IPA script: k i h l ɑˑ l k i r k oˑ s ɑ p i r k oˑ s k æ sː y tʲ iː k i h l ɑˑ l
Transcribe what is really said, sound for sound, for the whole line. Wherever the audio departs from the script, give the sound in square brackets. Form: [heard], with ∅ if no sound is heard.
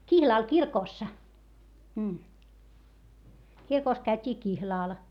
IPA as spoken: k i h l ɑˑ l k i r k oˑ [sː] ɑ [k] i r k oˑ s k æ [∅] y tʲ iː k i h l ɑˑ l